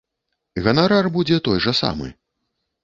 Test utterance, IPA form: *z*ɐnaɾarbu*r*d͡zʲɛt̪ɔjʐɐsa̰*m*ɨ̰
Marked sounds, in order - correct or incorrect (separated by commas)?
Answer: incorrect, incorrect, correct